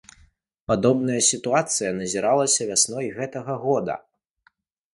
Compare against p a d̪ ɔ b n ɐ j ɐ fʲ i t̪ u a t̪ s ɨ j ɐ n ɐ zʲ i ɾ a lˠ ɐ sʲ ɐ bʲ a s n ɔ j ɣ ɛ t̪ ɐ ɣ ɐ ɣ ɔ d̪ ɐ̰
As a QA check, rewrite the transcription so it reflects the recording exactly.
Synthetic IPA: p a d̪ ɔ b n ɐ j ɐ sʲ i t̪ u a t̪ s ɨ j ɐ n ɐ zʲ i ɾ a lˠ ɐ sʲ ɐ vʲ a s n ɔ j ɣ ɛ t̪ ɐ ɣ ɐ ɣ ɔ d̪ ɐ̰